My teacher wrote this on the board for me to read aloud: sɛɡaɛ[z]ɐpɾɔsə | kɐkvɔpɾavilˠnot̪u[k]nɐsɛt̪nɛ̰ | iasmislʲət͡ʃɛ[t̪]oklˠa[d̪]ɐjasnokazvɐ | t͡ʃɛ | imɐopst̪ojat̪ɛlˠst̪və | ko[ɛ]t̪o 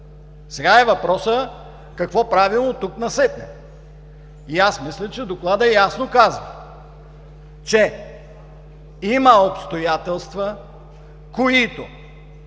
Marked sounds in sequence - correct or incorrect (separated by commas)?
incorrect, correct, incorrect, correct, incorrect